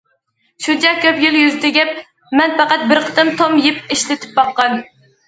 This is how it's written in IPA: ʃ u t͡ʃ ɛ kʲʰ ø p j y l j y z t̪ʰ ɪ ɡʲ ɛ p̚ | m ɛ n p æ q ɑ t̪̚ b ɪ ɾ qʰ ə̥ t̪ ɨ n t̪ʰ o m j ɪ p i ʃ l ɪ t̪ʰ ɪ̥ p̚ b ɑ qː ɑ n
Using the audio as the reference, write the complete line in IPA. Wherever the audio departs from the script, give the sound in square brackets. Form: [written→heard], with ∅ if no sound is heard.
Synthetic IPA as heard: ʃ u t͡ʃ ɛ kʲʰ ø p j y l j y z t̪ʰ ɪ ɡʲ ɛ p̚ | m ɛ n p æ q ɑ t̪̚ b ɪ ɾ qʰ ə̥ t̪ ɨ [n→m] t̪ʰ o m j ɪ p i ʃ l ɪ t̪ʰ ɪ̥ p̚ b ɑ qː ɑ n